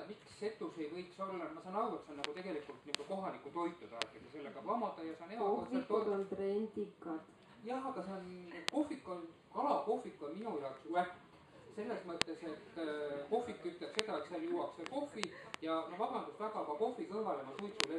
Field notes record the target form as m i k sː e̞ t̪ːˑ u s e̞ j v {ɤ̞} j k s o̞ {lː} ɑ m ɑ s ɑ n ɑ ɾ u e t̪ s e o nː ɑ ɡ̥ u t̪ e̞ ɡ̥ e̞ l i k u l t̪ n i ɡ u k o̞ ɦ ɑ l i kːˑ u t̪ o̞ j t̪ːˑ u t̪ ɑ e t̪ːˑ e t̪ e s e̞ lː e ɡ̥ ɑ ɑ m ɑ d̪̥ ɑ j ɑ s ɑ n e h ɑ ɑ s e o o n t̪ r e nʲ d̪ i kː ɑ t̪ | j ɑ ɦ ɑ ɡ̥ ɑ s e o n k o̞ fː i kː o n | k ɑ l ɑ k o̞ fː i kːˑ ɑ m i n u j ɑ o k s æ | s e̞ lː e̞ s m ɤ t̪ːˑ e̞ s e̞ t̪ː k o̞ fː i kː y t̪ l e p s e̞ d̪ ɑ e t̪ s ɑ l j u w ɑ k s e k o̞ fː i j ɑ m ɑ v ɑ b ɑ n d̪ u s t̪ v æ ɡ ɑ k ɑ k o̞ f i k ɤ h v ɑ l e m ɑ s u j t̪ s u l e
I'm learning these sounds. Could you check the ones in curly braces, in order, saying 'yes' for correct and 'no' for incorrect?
yes, yes

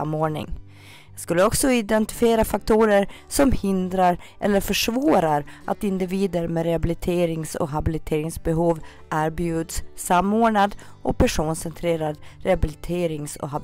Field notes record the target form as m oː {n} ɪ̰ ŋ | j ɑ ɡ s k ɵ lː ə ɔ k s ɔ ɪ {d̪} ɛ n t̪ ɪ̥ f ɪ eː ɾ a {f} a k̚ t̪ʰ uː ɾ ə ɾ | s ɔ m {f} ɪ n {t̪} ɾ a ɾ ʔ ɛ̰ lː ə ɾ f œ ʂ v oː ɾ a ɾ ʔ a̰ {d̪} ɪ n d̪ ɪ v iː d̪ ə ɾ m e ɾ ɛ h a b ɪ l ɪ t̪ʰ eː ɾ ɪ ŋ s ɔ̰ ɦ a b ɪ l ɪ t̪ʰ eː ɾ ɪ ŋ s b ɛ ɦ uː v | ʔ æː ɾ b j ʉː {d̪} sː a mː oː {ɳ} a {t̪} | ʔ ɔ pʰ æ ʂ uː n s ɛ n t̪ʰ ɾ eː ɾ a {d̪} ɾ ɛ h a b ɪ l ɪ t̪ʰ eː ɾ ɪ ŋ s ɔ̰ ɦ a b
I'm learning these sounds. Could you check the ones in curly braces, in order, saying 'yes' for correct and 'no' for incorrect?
no, yes, yes, no, no, no, yes, yes, no, yes

